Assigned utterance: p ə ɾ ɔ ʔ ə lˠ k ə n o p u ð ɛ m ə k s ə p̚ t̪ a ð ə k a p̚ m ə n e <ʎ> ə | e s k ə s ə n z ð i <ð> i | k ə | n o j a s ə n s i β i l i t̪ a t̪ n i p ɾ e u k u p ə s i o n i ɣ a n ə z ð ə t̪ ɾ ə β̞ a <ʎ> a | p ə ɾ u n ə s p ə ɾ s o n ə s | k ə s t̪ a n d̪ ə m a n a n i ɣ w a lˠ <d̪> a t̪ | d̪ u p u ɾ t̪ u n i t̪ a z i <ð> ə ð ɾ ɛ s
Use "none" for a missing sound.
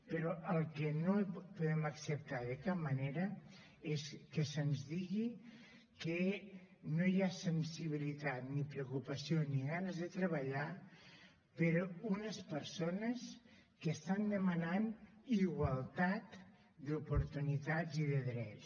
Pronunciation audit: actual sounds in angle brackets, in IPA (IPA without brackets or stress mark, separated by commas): ɾ, ɣ, ʎ, t̪, ð